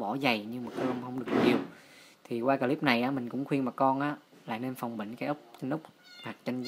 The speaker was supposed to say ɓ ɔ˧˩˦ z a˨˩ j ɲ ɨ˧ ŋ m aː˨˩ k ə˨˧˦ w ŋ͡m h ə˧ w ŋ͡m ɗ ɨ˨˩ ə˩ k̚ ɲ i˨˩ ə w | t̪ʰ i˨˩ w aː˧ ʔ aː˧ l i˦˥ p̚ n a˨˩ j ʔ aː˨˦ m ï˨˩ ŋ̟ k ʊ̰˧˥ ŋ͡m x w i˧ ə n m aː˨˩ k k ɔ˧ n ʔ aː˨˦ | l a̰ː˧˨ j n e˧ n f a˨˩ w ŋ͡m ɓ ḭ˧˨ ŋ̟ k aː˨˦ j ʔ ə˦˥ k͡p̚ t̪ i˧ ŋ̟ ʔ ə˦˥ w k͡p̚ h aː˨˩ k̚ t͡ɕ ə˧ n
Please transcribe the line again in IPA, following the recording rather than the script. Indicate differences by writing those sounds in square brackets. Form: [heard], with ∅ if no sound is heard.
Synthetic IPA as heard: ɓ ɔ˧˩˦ z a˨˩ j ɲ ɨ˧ ŋ m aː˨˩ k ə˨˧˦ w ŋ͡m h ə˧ w ŋ͡m ɗ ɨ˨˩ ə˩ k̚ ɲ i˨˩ ə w | t̪ʰ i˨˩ w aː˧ [k] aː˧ l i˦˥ p̚ n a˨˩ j ʔ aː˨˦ m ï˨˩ ŋ̟ k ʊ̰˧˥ ŋ͡m x w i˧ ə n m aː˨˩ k k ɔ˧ n ʔ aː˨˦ | l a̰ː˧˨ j n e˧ n f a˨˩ w ŋ͡m ɓ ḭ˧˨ ŋ̟ k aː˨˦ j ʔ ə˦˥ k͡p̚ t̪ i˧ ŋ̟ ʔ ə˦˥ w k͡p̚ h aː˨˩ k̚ t͡ɕ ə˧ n

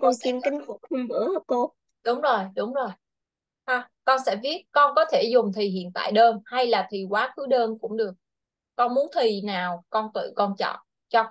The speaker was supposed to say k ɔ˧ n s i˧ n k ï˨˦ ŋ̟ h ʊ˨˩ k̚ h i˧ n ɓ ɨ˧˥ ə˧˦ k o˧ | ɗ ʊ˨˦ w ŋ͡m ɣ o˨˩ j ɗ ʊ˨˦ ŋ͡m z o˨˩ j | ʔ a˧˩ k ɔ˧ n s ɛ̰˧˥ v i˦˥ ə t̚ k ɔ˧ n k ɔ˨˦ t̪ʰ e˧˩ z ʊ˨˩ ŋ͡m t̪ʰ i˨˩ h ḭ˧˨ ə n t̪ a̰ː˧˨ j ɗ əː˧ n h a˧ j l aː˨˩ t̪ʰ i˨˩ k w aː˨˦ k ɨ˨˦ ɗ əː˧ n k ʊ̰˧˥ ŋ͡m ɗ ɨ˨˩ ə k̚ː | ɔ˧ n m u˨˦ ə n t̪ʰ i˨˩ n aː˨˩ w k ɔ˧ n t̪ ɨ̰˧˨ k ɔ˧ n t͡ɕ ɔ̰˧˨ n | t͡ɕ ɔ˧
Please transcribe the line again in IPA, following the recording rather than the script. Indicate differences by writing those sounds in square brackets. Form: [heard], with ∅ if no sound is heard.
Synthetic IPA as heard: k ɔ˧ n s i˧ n k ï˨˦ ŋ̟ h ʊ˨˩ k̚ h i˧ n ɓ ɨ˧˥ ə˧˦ k o˧ | ɗ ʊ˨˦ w ŋ͡m [z] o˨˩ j ɗ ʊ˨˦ ŋ͡m z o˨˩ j | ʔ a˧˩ k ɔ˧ n s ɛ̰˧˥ v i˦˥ ə t̚ k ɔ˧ n k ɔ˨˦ t̪ʰ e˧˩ z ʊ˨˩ ŋ͡m t̪ʰ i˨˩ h ḭ˧˨ ə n t̪ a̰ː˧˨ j ɗ əː˧ n h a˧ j l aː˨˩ t̪ʰ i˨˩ k w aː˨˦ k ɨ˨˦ ɗ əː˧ n k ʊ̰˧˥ ŋ͡m ɗ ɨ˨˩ ə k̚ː | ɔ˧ n m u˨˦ ə n t̪ʰ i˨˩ n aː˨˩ w k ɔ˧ n t̪ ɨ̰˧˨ k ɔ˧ n t͡ɕ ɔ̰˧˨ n | t͡ɕ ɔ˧

